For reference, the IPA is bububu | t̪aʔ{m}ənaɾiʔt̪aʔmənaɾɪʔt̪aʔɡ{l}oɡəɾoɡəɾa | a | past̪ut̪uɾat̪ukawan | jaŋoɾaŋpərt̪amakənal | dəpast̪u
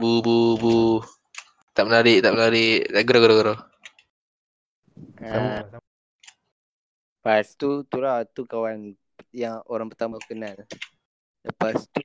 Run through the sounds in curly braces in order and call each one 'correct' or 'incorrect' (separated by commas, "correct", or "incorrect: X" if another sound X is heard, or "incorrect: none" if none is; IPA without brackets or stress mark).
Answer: correct, incorrect: ɾ